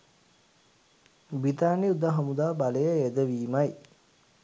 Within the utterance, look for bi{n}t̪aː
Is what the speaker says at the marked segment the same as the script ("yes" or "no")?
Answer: no